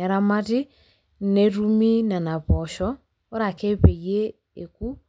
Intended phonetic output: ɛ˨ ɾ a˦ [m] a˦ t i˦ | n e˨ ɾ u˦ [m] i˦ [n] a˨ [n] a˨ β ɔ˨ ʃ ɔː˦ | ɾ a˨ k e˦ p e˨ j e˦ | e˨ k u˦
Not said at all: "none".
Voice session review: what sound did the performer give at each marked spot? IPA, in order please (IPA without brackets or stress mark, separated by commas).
m, m, n, n